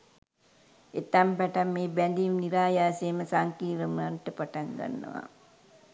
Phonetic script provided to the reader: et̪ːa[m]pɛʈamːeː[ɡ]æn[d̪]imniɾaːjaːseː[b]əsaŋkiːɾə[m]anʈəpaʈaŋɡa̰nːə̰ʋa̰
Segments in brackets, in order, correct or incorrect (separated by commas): correct, incorrect, correct, incorrect, correct